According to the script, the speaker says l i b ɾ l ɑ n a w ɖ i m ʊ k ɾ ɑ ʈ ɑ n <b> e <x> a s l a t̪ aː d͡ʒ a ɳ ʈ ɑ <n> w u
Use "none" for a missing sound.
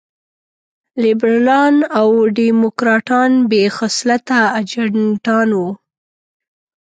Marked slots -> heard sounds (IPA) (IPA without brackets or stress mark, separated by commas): b, x, n